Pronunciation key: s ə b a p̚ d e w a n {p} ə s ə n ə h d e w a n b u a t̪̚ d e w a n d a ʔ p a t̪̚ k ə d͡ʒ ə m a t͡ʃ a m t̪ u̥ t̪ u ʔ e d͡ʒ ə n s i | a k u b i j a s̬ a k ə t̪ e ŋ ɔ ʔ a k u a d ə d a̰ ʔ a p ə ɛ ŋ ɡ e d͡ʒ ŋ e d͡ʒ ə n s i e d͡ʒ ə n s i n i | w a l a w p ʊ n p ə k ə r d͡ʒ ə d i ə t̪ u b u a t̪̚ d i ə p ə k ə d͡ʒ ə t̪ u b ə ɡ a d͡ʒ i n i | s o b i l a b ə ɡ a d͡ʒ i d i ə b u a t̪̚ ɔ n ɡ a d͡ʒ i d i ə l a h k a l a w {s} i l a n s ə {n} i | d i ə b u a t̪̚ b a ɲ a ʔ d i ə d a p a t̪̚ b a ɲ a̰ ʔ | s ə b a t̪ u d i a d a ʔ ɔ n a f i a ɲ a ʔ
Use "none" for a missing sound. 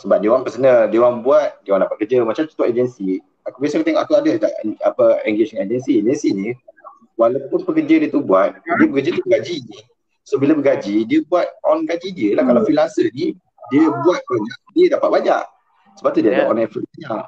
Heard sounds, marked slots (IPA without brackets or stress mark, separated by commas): p, f, n